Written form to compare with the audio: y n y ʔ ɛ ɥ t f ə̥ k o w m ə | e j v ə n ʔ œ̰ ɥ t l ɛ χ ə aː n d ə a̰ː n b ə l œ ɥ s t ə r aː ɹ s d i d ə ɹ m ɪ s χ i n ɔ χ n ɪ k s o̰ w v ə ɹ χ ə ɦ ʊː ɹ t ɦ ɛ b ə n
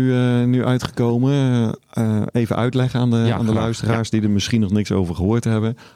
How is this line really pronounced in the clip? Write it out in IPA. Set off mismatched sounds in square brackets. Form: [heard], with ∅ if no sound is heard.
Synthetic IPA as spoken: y n y ʔ [œ] ɥ t [χ] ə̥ k o w m ə | e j v ə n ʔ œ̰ ɥ t l ɛ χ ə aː n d ə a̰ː n [d] ə l œ ɥ s t ə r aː ɹ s d i d ə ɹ m ɪ s χ i n ɔ χ n ɪ k s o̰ w v ə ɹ χ ə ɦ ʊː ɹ t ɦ ɛ b ə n